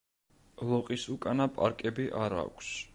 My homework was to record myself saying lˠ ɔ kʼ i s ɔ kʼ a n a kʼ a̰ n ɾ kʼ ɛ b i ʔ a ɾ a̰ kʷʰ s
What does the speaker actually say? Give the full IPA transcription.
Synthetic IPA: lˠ ɔ qʼ i s u kʼ a n a pʼ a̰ ɾ kʼ ɛ b i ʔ a ɾ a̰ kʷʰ s